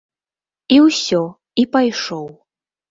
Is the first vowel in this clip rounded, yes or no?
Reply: no